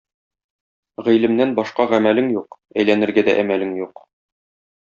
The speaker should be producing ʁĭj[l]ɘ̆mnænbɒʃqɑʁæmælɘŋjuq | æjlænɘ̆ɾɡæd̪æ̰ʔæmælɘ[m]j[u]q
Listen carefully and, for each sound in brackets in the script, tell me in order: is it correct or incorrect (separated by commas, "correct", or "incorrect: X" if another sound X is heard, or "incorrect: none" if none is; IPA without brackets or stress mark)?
correct, incorrect: ŋ, correct